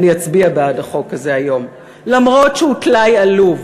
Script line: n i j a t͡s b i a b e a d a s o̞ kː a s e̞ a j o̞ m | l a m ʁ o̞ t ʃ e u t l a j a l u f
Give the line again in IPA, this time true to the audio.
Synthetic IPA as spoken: n i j a t͡s b i a b e a d a χ o̞ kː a z e̞ a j o̞ m | l a m ʁ o̞ t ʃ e u t l a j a l u v